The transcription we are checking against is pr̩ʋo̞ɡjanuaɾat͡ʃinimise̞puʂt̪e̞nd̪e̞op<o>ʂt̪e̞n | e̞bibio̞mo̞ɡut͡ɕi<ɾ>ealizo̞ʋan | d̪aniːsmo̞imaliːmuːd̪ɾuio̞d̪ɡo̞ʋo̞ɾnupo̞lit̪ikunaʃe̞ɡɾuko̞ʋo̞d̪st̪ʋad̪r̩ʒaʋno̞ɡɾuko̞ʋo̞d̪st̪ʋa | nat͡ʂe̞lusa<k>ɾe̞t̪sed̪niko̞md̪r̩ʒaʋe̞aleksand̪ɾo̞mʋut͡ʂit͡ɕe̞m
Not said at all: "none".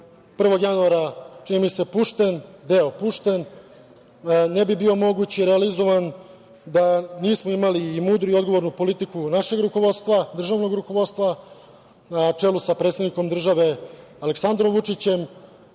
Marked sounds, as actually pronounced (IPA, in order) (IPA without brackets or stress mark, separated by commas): u, ɾ, p